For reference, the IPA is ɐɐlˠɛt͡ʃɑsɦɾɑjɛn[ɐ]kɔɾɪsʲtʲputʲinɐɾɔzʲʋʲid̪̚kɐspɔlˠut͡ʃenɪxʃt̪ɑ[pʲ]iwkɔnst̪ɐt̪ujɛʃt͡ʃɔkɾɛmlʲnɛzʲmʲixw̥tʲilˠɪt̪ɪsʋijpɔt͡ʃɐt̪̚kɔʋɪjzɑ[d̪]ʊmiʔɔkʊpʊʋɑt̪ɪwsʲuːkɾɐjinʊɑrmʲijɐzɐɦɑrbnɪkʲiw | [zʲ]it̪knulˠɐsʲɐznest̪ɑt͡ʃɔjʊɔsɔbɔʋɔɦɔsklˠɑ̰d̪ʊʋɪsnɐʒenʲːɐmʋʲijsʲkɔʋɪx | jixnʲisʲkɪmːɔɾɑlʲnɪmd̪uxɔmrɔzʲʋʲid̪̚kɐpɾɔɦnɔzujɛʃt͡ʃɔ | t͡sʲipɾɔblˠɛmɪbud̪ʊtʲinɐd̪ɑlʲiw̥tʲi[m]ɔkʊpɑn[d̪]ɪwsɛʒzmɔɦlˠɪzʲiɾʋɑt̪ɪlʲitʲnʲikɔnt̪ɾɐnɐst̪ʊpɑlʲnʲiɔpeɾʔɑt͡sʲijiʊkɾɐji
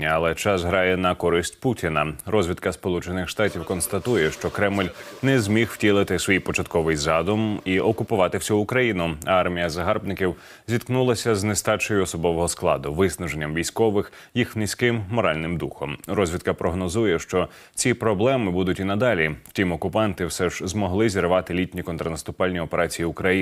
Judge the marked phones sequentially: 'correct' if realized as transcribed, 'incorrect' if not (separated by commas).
correct, incorrect, correct, correct, correct, incorrect